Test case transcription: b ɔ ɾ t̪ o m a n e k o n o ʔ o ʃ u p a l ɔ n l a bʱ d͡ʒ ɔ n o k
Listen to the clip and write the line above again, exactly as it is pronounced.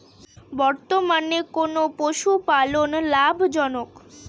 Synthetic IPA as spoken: b ɔ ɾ t̪ o m a n e k o n o p o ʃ u p a l o n l a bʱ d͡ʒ ɔ n o k